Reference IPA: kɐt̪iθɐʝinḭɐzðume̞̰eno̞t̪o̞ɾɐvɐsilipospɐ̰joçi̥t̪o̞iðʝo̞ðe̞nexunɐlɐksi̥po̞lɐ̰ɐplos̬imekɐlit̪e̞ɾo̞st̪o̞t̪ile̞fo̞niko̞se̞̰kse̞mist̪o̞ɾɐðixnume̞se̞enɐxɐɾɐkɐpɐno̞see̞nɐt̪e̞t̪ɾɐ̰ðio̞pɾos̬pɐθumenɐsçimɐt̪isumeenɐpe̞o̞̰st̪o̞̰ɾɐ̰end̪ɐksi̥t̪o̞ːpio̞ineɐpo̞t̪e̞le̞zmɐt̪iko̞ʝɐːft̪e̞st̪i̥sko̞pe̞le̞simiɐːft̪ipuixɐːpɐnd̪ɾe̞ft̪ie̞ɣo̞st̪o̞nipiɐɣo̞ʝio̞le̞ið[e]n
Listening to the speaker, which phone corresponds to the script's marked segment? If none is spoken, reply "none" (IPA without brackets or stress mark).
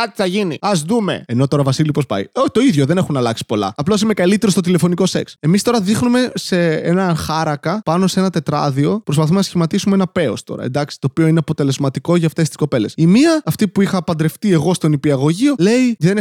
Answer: e